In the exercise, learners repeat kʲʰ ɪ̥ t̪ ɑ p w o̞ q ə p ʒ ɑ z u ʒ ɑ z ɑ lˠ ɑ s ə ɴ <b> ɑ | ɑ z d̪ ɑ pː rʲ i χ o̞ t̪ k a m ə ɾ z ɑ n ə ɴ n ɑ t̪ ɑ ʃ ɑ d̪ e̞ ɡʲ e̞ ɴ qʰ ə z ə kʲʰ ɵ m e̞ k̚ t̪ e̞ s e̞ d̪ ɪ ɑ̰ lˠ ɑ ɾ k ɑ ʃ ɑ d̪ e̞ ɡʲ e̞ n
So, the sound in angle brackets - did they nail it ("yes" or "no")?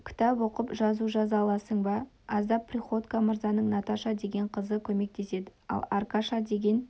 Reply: yes